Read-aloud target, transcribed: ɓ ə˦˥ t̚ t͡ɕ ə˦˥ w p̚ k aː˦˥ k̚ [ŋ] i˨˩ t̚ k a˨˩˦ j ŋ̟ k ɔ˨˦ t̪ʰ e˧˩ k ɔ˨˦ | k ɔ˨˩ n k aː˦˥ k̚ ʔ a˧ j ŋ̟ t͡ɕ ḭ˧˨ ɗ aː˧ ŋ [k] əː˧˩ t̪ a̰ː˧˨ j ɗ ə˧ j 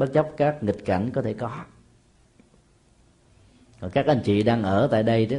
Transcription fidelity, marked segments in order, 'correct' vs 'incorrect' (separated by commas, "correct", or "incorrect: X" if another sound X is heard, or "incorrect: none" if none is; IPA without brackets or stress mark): correct, incorrect: ʔ